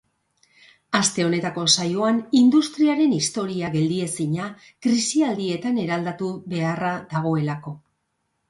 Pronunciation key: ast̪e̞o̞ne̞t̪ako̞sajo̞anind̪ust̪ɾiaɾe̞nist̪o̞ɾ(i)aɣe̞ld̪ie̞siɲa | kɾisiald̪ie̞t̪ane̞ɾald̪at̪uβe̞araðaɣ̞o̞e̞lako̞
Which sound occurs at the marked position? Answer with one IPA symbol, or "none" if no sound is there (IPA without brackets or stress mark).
i